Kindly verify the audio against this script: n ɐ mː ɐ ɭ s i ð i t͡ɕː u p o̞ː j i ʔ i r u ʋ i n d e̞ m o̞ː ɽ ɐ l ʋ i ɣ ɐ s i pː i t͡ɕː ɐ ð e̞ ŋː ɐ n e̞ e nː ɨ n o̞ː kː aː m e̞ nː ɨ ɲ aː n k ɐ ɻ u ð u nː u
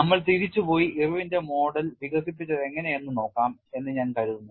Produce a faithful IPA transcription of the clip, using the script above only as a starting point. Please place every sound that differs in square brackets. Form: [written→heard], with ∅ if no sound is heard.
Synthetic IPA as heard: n ɐ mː ɐ ɭ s i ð i t͡ɕː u p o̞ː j i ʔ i r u ʋ i n d e̞ m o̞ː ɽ ɐ l ʋ i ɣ ɐ s i pː i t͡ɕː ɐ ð e̞ ŋː ɐ n e̞ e nː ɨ n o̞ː kː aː m e̞ nː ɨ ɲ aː n k ɐ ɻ u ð u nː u